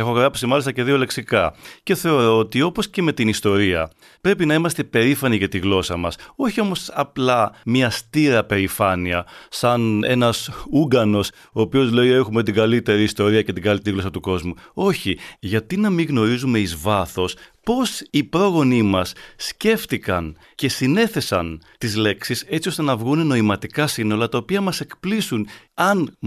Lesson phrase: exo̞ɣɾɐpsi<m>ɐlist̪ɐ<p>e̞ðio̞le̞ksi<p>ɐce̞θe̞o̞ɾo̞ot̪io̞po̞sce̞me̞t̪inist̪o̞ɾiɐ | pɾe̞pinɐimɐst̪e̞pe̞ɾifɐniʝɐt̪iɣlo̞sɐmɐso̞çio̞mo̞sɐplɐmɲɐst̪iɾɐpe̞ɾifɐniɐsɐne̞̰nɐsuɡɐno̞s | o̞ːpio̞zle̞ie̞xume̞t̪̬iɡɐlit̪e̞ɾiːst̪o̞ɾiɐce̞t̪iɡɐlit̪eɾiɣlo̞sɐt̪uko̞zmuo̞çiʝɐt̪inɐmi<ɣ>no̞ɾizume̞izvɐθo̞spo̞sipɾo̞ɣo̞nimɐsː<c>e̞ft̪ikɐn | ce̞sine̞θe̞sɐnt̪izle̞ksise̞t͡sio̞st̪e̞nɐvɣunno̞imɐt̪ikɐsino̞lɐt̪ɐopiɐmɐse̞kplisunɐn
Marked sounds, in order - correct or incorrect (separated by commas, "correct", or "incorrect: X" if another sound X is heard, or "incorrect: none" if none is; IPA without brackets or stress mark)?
correct, incorrect: c, incorrect: k, correct, correct